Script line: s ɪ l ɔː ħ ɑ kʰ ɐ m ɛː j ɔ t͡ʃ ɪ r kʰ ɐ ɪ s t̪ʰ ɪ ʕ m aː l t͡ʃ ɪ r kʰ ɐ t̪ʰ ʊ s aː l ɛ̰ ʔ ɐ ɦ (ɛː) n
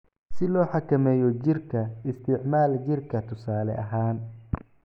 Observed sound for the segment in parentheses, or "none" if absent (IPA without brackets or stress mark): aː